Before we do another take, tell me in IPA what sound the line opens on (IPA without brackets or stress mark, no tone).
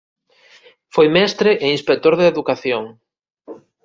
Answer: f